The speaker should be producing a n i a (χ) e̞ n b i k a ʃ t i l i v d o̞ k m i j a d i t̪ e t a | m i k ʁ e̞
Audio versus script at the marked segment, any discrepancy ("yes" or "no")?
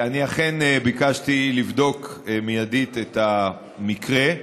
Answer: no